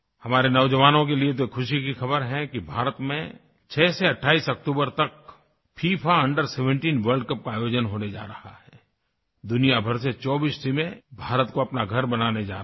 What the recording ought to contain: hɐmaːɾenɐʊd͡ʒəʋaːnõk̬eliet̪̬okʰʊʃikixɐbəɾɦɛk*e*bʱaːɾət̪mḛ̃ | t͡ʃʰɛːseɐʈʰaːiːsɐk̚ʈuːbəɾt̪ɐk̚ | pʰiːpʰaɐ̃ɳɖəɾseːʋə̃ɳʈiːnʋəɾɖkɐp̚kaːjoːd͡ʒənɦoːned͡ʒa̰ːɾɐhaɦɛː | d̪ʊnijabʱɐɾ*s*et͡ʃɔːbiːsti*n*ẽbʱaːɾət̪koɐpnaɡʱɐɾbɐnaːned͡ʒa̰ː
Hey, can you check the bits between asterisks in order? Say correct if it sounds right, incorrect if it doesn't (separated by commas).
incorrect, correct, incorrect